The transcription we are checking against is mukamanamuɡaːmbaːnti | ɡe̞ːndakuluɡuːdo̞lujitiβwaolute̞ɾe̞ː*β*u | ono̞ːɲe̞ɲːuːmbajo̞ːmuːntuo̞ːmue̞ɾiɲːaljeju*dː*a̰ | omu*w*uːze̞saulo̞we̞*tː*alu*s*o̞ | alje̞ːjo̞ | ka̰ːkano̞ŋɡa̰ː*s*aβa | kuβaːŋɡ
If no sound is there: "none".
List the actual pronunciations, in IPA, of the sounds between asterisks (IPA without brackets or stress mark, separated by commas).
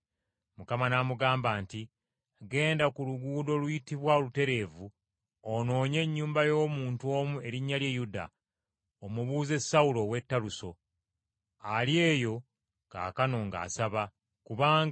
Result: v, d, β, tː, s, s